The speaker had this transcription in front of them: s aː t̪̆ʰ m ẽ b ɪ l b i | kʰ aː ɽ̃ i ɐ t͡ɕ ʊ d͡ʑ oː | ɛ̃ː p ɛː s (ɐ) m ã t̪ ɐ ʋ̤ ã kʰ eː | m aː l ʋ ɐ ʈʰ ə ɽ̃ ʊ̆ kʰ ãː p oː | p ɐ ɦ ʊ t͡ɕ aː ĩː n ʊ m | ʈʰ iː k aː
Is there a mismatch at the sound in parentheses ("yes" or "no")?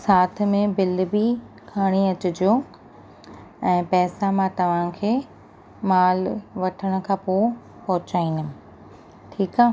yes